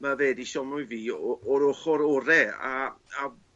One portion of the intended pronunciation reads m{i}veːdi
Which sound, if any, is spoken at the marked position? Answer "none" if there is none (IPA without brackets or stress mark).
a